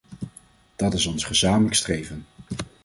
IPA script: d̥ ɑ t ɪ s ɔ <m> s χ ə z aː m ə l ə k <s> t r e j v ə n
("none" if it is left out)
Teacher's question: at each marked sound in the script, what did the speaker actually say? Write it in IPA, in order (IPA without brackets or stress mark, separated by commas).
n, s